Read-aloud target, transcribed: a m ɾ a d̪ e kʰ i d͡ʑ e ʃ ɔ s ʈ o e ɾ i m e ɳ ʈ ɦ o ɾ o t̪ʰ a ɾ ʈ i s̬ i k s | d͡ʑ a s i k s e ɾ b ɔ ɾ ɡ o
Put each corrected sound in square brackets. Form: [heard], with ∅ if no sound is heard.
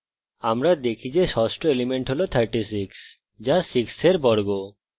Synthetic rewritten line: a m ɾ a d̪ e kʰ i d͡ʑ e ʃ ɔ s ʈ o e [l] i m e ɳ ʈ ɦ o [l] o t̪ʰ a ɾ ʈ i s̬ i k s | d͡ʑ a s i k s e ɾ b ɔ ɾ ɡ o